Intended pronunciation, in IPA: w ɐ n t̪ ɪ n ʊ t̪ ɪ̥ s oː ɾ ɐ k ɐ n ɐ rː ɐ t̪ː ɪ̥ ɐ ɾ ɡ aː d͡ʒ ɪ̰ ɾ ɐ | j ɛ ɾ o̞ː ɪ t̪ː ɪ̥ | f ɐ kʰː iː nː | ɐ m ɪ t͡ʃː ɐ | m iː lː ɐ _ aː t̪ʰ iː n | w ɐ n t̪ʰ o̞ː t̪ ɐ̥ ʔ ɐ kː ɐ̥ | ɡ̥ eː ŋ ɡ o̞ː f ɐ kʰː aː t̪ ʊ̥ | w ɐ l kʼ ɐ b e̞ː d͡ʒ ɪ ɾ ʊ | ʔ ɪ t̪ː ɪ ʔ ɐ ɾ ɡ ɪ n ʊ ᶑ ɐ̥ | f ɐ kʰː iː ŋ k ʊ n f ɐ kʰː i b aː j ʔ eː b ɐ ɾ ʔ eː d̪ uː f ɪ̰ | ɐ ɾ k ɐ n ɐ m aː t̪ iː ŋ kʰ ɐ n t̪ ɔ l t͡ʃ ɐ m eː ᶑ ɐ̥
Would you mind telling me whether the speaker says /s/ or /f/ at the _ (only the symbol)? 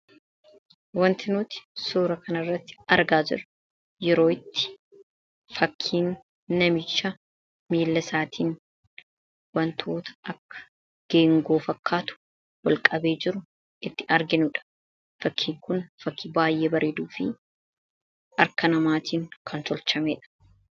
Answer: s